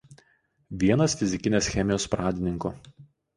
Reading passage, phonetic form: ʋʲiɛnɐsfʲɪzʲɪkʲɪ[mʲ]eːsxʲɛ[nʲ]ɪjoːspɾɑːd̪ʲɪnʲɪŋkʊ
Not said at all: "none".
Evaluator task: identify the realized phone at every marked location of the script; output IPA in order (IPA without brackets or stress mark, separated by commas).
nʲ, mʲ